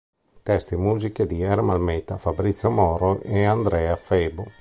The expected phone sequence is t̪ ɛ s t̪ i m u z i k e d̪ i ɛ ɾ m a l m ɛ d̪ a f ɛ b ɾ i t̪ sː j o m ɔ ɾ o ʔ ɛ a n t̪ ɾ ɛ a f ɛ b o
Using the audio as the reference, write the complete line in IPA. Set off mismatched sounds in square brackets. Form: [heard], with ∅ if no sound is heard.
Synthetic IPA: t̪ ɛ s t̪ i m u z i k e d̪ i ɛ ɾ m a l m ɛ [t̪] a f [a] b ɾ i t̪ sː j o m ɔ ɾ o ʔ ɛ a n [d̪] ɾ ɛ a f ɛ b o